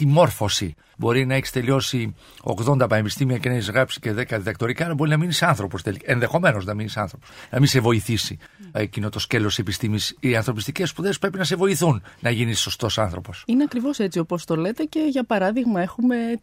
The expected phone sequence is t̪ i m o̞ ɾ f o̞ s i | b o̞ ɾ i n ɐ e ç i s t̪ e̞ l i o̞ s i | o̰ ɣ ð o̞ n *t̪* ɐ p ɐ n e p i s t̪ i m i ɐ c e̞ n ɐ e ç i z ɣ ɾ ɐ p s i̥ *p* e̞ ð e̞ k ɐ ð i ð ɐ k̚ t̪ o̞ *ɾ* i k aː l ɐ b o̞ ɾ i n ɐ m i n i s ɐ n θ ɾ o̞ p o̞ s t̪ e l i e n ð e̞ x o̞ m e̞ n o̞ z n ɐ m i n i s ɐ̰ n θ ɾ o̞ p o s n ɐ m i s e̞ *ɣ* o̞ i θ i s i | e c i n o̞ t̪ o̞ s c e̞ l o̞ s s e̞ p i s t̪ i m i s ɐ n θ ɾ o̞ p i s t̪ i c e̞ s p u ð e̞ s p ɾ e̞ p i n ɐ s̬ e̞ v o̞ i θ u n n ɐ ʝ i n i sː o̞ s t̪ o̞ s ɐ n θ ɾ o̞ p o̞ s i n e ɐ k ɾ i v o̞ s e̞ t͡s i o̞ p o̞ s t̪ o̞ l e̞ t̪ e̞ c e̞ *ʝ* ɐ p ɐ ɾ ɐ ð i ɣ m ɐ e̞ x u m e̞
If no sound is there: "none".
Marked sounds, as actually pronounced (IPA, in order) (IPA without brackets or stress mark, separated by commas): d̪, c, ɾ, v, ʝ